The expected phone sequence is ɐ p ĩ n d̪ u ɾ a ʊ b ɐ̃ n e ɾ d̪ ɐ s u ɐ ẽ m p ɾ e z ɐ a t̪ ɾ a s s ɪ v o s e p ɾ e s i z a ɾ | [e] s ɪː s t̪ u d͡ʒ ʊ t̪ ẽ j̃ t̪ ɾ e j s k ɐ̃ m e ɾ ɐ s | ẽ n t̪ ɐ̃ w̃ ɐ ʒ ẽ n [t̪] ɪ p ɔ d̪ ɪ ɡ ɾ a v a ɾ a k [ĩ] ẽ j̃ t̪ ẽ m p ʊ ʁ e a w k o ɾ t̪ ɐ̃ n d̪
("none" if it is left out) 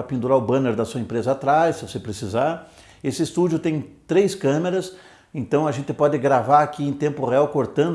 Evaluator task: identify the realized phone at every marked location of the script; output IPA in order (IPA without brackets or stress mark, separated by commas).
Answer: e, t̪, i